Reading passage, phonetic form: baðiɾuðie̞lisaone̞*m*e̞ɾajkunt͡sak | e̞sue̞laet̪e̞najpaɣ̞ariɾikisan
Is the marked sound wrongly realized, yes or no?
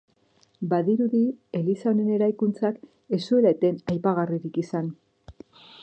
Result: yes